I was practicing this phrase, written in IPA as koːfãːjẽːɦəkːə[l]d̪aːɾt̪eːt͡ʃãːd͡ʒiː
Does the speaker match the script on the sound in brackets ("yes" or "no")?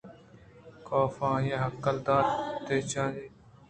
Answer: yes